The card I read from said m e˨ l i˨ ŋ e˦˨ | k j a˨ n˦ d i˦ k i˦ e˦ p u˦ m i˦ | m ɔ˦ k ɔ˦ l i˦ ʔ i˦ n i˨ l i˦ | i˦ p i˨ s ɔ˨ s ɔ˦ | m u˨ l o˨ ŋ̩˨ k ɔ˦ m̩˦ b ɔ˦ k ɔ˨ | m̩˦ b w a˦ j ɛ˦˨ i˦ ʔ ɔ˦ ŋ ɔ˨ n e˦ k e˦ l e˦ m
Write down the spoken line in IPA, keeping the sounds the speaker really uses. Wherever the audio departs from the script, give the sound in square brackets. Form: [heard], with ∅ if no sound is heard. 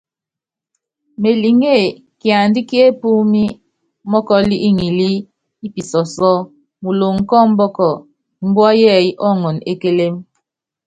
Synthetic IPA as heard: m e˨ l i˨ ŋ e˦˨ | k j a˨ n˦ d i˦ k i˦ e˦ p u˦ m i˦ | m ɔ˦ k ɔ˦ l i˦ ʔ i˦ [ŋ] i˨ l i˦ | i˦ p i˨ s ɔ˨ s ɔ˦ | m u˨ l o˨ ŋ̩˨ k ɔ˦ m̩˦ b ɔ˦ k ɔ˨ | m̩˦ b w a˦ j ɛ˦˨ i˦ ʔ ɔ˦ ŋ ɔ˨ n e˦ k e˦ l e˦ m